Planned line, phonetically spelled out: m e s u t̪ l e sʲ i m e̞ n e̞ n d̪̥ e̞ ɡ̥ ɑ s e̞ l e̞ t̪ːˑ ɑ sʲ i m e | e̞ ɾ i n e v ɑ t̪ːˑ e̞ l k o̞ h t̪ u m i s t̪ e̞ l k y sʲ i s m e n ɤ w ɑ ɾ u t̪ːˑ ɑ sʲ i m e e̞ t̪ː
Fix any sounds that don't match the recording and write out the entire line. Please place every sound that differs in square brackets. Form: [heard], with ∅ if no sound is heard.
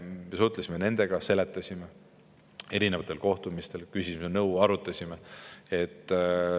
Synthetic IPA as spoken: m e s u t̪ l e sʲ i m e̞ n e̞ n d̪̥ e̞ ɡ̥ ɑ s e̞ l e̞ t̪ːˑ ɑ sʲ i m e | e̞ ɾ i n e v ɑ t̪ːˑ e̞ l k o̞ h t̪ u m i s t̪ e̞ l k y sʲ i s m e n ɤ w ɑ ɾ u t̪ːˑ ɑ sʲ i m e e̞ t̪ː